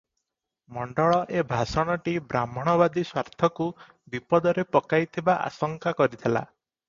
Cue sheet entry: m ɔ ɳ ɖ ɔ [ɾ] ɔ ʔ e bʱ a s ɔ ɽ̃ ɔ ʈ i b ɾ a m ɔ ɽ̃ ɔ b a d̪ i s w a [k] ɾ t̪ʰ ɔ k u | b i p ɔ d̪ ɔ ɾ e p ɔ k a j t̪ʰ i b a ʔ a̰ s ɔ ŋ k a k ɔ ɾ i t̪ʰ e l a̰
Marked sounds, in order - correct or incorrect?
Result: incorrect: ɭ, incorrect: none

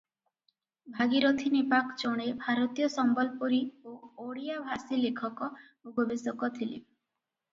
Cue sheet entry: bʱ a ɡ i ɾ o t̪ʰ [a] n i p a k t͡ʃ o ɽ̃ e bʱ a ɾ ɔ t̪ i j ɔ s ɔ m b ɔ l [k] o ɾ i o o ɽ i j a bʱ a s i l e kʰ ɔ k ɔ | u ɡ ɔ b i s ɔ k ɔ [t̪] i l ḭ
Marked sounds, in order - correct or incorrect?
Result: incorrect: i, incorrect: p, incorrect: t̪ʰ

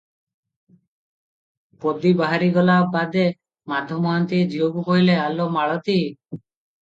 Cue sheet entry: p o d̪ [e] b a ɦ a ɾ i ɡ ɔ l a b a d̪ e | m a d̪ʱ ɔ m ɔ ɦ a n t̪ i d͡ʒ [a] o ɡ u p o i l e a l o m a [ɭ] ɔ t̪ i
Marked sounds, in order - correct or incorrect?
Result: incorrect: i, incorrect: i, correct

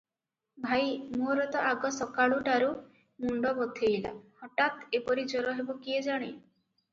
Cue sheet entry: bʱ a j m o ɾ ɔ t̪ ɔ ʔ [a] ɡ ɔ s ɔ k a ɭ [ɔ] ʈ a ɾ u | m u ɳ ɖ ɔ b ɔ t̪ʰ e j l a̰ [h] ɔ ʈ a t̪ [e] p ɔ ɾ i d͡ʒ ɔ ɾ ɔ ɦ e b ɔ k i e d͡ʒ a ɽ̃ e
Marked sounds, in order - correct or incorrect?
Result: correct, incorrect: u, correct, correct

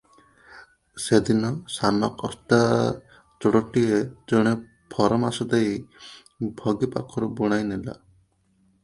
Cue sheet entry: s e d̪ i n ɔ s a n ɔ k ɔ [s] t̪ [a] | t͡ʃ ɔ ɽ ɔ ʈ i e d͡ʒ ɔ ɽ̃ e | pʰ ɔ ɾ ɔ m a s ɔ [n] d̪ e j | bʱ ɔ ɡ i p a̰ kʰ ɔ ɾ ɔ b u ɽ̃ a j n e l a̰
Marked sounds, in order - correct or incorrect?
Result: correct, correct, incorrect: none

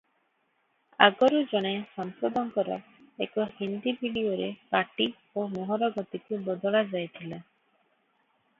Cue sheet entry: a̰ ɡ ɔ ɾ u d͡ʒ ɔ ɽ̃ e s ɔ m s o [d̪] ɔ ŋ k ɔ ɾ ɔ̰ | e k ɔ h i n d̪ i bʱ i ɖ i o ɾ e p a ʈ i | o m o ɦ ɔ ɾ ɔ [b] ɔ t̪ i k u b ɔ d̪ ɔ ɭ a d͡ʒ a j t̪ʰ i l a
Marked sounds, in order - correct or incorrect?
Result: correct, incorrect: ɡ

